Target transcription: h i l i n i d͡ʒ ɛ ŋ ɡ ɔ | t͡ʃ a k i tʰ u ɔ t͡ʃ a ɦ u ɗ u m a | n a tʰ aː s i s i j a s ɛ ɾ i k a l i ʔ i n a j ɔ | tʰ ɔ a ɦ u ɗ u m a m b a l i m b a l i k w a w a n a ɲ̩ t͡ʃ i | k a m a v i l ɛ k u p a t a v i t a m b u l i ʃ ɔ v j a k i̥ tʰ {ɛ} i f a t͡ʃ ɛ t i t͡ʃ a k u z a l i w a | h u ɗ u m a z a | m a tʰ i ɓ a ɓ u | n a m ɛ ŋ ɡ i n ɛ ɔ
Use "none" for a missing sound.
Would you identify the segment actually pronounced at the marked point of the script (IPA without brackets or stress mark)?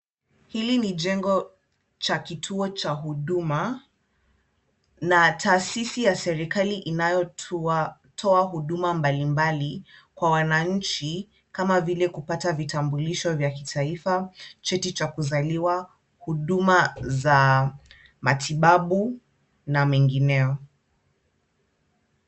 a